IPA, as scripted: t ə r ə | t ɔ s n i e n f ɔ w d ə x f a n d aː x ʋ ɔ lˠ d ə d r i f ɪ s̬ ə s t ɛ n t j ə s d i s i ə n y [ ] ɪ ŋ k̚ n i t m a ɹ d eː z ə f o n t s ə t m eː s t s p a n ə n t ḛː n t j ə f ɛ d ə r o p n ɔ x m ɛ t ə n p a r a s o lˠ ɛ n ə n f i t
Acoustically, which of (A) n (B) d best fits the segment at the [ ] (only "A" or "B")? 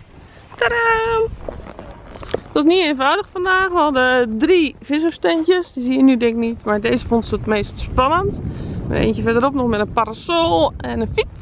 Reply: B